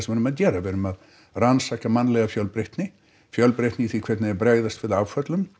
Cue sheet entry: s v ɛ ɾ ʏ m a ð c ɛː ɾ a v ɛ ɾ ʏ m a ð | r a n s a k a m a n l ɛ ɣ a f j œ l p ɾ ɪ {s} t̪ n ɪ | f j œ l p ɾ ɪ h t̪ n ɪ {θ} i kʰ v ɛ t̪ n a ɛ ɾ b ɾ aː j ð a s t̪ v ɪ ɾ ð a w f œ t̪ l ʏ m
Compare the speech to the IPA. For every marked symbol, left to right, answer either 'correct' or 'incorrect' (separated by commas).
incorrect, correct